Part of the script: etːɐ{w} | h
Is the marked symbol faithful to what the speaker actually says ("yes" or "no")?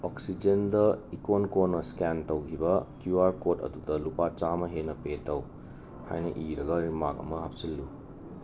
yes